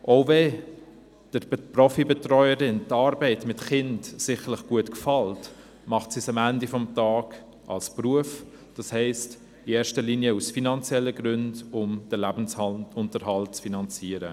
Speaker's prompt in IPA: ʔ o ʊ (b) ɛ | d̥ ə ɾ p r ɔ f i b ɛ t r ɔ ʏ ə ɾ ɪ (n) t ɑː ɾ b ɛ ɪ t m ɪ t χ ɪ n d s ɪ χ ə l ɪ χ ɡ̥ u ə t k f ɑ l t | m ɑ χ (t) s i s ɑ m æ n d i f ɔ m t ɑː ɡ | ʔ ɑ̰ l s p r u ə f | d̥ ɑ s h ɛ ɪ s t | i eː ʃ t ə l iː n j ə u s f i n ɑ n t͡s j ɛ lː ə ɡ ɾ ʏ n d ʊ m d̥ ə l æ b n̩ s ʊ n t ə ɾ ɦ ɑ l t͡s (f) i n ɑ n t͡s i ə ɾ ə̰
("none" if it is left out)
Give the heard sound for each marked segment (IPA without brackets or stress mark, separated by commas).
v, n, t, f